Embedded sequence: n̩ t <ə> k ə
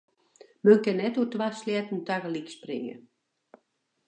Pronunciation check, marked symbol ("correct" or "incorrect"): incorrect